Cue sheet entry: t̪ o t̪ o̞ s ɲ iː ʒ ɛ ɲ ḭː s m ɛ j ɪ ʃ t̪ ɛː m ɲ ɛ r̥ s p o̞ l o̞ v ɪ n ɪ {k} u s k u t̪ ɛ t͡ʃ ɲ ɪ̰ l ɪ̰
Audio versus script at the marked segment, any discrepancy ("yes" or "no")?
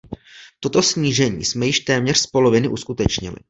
yes